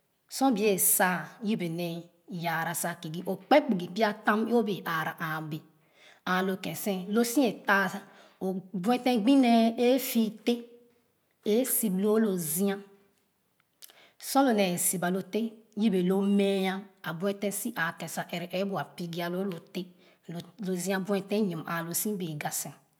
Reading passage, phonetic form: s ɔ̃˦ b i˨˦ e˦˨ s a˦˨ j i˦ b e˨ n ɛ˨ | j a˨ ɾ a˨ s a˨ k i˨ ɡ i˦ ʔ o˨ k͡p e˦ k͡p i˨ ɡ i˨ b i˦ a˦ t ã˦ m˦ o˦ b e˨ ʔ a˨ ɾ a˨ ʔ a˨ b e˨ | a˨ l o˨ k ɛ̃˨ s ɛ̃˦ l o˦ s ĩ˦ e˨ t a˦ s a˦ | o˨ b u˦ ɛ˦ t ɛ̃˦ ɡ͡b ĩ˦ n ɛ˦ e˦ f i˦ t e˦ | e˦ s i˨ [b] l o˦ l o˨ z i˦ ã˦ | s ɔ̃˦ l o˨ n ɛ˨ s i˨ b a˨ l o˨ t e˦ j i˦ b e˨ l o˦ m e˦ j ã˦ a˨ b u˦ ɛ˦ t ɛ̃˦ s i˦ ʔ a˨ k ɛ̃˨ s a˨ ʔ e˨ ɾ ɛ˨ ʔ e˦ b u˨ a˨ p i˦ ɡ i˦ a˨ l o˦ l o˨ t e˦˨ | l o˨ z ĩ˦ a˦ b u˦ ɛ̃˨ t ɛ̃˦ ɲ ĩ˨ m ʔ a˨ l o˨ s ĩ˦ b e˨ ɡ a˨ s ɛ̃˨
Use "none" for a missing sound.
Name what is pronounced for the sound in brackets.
b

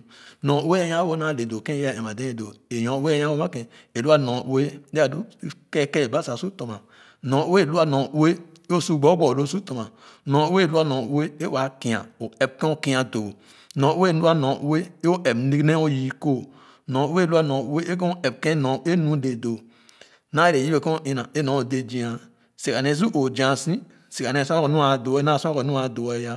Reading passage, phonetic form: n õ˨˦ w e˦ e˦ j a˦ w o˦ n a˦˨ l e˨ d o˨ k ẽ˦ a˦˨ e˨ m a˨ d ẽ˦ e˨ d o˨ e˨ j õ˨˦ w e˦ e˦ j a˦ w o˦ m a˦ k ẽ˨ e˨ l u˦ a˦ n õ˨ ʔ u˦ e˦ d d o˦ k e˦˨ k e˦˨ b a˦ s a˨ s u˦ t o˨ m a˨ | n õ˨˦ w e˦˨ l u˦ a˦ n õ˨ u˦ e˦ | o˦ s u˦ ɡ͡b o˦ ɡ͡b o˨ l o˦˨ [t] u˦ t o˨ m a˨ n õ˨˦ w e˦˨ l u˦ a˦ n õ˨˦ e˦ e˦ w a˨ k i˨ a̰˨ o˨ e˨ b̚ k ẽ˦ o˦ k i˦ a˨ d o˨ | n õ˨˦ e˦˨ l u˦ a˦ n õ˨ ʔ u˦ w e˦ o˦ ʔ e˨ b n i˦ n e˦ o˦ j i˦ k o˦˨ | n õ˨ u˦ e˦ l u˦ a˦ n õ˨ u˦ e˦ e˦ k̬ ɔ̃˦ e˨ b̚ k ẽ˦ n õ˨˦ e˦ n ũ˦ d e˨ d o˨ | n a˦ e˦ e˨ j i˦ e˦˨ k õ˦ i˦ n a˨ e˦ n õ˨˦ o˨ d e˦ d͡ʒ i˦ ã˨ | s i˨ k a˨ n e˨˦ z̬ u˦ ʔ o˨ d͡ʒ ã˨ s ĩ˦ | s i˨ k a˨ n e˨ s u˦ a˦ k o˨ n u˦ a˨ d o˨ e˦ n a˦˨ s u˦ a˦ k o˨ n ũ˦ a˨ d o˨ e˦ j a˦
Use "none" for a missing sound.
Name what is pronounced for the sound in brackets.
s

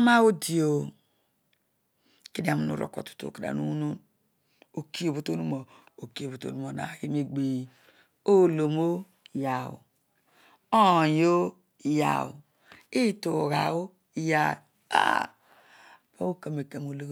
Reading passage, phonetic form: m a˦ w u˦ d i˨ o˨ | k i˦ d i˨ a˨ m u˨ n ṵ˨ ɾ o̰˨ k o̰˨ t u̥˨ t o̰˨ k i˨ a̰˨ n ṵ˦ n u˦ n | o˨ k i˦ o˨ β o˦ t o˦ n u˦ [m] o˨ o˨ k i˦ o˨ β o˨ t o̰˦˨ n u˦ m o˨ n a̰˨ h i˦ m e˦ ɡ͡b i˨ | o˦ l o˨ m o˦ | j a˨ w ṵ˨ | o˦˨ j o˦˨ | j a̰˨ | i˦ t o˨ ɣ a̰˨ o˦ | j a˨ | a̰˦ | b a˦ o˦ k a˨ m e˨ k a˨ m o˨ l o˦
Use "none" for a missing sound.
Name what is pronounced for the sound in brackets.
m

